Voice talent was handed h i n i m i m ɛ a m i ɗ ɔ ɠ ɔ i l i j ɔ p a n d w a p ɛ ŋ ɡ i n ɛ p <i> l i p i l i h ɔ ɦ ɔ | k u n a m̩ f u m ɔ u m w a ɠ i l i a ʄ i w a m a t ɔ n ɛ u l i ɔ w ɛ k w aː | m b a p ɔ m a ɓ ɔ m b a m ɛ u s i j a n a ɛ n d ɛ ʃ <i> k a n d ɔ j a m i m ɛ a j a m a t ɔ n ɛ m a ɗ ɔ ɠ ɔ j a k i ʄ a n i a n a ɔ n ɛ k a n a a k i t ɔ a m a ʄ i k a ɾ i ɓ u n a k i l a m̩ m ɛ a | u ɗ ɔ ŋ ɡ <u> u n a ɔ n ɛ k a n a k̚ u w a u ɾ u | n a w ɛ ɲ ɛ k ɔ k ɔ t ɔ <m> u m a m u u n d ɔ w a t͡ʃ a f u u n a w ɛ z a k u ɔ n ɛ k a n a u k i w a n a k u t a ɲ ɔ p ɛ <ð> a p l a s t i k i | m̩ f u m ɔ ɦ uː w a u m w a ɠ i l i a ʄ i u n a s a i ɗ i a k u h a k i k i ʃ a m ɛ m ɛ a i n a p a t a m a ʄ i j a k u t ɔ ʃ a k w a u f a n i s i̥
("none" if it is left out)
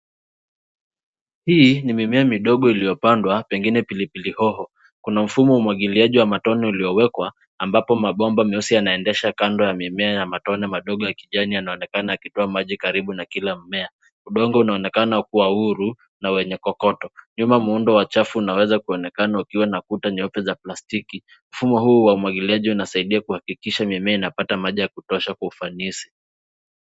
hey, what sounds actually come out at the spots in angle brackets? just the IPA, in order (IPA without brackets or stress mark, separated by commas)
i, a, ɔ, ɲ, z